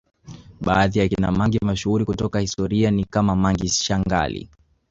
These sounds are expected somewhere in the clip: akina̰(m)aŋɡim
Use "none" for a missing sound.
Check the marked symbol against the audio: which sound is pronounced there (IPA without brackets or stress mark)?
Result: m